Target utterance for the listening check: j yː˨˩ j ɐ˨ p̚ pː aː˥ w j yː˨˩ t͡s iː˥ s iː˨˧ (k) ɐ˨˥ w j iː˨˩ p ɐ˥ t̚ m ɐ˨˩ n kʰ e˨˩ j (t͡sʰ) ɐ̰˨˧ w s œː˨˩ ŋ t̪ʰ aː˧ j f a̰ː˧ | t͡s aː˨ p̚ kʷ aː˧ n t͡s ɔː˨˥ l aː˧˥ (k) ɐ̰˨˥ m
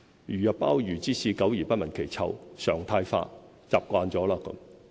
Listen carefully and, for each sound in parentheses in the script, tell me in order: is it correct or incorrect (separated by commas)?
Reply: correct, correct, correct